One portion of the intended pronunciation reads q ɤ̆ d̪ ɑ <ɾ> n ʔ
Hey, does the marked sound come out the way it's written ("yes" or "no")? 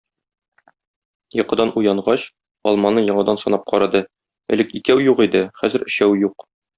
no